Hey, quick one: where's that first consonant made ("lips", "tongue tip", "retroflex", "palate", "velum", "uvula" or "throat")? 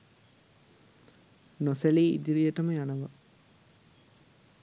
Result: tongue tip